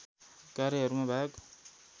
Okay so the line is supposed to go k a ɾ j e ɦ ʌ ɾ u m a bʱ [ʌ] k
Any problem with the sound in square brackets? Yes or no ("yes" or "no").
yes